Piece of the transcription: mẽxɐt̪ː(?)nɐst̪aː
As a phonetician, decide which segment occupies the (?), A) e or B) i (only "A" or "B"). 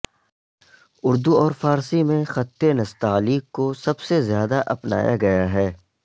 A